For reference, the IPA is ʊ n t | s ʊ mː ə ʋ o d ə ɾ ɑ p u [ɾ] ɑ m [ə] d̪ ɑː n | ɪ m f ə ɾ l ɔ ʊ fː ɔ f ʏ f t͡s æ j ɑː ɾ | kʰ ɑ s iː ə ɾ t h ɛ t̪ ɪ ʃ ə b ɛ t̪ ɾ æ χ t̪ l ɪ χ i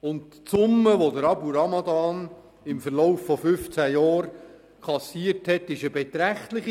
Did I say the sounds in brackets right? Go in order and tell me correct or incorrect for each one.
correct, incorrect: ɑ

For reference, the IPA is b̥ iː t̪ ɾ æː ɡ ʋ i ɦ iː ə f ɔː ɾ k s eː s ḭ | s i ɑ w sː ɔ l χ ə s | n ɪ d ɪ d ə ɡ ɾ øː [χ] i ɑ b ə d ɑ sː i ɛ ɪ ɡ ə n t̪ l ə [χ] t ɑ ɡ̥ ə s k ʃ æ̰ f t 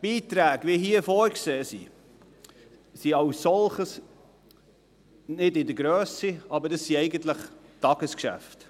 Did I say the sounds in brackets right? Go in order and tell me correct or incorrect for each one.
incorrect: s, correct

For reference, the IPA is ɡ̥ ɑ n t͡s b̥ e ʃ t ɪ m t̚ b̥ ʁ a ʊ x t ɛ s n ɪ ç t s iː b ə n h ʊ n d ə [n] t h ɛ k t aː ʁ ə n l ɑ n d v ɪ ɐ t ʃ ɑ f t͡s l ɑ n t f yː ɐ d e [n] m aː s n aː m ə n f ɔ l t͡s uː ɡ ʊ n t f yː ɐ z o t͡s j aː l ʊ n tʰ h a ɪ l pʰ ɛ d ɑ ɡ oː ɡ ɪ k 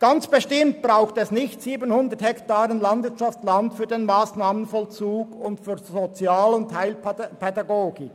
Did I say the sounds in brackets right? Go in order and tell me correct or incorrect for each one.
incorrect: none, correct

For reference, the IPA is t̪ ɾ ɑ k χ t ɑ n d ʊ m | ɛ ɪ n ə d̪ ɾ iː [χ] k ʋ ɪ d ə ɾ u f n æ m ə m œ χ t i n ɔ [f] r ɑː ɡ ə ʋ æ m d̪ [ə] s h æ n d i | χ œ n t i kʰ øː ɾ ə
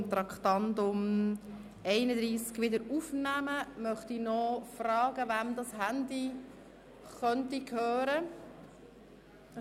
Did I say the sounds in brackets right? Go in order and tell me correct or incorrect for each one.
incorrect: s, correct, incorrect: ɑ

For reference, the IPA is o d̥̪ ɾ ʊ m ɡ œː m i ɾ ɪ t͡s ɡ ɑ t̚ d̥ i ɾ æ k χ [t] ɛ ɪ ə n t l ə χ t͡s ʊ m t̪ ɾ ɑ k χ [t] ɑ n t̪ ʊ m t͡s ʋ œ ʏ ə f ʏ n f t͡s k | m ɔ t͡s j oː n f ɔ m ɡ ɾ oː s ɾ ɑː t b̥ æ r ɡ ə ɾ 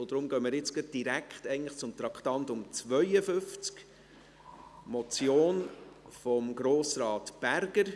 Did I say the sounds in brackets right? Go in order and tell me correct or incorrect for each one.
correct, correct

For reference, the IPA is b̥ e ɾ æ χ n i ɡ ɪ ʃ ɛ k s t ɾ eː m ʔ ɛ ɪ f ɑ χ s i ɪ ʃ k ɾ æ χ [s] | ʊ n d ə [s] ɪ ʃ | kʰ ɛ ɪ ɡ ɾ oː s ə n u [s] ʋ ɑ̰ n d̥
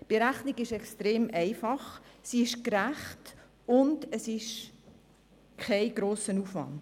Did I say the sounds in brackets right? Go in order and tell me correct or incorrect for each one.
incorrect: t, correct, incorrect: f

